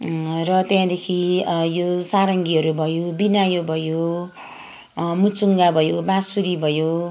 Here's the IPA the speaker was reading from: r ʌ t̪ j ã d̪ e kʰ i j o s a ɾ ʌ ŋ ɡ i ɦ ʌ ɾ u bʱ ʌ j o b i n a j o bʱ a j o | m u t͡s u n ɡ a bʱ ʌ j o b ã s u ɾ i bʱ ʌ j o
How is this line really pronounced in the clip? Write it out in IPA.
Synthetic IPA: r ʌ t̪ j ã d̪ e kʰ i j o s a ɾ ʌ ŋ ɡ i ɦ ʌ ɾ u bʱ ʌ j o b i n a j o bʱ ʌ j o | m u t͡s u ŋ ɡ a bʱ ʌ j o b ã s u ɾ i bʱ ʌ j o